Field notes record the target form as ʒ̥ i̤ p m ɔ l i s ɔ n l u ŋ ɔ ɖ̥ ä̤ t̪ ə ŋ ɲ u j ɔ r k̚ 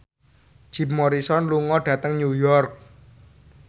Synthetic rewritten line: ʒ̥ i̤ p m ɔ ɾ i s ɔ n l u ŋ ɔ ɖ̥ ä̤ t̪ ə ŋ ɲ u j ɔ r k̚